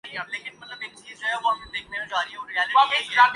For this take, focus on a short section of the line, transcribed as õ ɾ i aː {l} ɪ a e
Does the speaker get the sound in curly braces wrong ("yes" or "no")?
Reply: no